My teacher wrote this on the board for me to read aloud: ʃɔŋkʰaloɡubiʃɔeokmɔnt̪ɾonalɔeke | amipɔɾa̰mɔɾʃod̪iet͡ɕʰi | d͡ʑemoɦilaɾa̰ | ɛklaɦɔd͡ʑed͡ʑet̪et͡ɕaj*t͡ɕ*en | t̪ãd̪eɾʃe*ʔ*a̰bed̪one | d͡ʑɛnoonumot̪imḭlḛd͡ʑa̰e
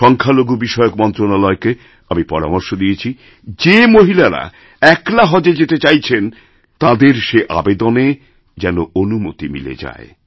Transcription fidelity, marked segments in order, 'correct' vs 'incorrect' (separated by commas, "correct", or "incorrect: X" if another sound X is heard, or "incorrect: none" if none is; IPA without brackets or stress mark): incorrect: t͡ɕʰ, correct